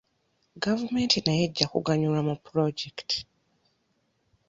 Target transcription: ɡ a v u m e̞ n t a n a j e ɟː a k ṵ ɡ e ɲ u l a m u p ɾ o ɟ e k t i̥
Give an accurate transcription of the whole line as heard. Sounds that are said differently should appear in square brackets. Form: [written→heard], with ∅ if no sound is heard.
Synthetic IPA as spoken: ɡ a v u m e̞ n t [a→i] n a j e ɟː a k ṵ ɡ [e→a] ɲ u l a m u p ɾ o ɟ e k t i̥